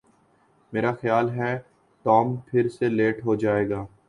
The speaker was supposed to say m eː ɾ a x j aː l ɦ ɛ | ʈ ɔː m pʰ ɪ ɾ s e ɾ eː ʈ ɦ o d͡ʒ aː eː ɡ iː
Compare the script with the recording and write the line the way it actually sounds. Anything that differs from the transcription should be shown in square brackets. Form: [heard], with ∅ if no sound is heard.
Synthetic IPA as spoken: m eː ɾ a x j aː l ɦ ɛ | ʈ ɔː m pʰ ɪ ɾ s e [l] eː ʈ ɦ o d͡ʒ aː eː ɡ [aː]